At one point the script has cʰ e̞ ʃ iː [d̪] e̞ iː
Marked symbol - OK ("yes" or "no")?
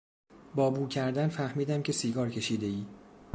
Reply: yes